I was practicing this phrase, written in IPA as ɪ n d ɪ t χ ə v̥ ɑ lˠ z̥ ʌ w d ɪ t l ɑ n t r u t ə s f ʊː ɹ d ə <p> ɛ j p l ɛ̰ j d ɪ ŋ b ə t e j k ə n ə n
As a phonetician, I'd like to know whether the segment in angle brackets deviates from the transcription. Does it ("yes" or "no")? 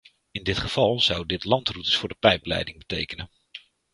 no